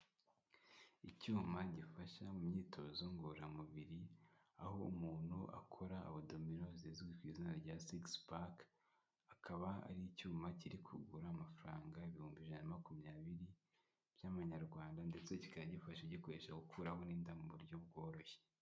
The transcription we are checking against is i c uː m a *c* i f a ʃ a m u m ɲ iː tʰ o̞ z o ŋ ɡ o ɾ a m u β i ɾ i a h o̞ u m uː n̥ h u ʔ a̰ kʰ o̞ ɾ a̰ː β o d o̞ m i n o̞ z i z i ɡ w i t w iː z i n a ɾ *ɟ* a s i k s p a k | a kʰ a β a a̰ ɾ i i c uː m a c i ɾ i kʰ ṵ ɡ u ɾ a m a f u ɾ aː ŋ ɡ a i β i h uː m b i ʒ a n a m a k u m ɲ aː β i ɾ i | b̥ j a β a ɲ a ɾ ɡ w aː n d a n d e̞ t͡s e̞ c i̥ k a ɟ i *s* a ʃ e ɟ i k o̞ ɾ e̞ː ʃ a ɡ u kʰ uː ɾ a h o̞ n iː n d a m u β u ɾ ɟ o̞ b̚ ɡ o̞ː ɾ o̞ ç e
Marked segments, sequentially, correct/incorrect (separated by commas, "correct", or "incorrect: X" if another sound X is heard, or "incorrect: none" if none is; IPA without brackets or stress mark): incorrect: ɟ, correct, incorrect: f